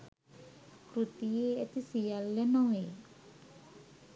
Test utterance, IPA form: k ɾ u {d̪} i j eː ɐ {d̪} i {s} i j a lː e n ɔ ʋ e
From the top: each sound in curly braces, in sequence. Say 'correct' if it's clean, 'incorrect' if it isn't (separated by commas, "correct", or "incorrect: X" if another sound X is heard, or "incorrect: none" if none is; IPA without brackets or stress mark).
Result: incorrect: t̪, incorrect: t̪, correct